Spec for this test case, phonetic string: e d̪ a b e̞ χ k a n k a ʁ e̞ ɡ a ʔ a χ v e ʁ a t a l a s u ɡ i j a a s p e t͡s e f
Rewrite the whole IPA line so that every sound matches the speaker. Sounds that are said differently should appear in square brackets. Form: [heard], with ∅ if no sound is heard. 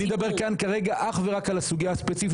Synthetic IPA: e d̪ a b e̞ [ʁ] k a n k a ʁ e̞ ɡ a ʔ a χ v e ʁ a [k] a l a s u ɡ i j a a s p e t͡s [i] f